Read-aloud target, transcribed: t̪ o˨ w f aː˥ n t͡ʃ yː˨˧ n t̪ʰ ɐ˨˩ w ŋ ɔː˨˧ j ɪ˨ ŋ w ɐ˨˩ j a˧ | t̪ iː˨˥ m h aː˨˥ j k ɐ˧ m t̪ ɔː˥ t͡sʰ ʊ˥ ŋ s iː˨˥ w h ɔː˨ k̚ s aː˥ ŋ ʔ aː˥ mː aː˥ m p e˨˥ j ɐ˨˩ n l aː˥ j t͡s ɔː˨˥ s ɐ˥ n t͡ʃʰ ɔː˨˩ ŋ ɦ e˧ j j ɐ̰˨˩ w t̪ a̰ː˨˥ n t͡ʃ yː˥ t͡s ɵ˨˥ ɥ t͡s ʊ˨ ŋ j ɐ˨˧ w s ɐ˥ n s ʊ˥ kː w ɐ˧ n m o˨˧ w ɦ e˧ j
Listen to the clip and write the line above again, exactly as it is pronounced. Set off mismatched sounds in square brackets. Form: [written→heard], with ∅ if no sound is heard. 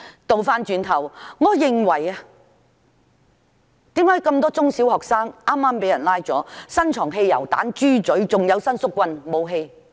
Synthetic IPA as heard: t̪ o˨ w f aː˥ n t͡ʃ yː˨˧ n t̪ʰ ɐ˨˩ w ŋ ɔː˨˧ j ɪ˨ ŋ w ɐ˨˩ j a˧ | t̪ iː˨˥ m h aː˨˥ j k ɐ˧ m t̪ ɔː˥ [t͡sʰ→t͡s] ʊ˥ ŋ s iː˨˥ w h ɔː˨ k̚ s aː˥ ŋ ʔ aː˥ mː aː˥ m p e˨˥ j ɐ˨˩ n l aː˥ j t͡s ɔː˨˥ s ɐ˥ n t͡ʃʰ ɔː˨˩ ŋ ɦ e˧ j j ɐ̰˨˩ w t̪ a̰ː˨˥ n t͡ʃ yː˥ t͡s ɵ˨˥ ɥ t͡s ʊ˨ ŋ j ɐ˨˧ w s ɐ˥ n s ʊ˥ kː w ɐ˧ n m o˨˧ w ɦ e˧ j